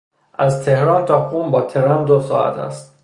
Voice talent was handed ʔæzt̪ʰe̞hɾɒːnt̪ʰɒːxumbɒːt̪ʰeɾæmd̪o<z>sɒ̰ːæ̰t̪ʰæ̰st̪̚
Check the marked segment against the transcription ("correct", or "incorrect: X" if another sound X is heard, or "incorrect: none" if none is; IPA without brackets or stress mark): incorrect: none